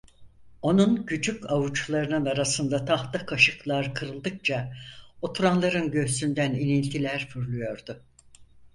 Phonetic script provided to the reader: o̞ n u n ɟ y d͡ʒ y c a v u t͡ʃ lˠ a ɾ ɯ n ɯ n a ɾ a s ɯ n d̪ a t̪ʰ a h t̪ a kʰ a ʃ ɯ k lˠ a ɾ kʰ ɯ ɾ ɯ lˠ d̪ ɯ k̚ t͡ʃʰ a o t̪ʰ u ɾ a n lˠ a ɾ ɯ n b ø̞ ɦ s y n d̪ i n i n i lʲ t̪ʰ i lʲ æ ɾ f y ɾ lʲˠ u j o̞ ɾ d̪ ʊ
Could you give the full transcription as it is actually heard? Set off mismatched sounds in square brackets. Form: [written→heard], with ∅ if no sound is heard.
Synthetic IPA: o̞ n u n ɟ y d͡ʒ y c a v u t͡ʃ lˠ a ɾ ɯ n ɯ n a ɾ a s ɯ n d̪ a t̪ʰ a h t̪ a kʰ a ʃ ɯ k lˠ a ɾ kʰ ɯ ɾ ɯ lˠ d̪ ɯ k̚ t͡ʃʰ a o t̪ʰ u ɾ a n lˠ a ɾ ɯ n [b→ɟ] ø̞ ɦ s y n d̪ [i→æ] n i n i lʲ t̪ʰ i lʲ æ ɾ f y ɾ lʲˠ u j o̞ ɾ d̪ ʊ